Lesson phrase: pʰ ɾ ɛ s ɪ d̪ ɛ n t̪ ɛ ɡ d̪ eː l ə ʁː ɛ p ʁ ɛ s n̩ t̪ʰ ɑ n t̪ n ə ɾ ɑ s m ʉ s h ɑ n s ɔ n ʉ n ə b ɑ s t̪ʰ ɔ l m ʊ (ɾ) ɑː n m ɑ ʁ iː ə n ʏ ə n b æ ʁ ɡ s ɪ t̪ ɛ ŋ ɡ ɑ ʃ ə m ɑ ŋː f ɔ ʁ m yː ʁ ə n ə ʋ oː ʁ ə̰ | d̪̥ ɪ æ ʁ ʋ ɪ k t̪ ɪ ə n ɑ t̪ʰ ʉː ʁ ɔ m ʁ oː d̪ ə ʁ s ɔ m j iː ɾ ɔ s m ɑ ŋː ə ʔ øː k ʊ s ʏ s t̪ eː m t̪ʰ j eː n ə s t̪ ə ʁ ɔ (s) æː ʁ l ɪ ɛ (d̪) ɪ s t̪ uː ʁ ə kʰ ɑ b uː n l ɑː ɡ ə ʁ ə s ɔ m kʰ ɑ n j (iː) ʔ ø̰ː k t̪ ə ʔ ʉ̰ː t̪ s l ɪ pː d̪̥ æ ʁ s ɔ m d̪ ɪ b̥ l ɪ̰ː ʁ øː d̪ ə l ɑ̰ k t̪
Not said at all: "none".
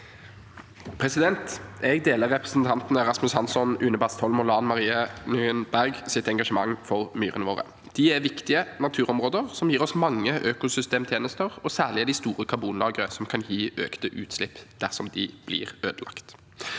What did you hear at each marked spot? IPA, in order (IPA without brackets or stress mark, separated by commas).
l, s, d̪, iː